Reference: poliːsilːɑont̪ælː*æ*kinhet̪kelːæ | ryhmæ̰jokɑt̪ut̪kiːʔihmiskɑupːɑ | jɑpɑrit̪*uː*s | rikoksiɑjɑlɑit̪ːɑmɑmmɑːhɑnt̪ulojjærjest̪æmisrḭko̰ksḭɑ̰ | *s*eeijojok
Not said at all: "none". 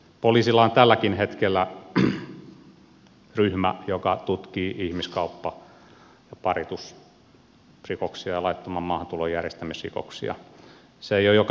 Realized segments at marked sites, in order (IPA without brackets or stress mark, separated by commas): æ, u, s